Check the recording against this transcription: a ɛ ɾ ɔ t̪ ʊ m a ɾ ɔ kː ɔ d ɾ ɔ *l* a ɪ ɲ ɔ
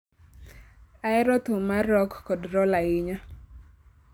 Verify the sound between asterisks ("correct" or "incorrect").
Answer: correct